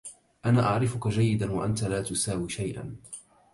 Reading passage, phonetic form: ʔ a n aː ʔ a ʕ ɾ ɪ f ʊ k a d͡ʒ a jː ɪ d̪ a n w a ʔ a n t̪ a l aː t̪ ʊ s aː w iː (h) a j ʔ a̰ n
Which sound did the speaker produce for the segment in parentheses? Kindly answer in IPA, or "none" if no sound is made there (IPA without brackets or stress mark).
ʃ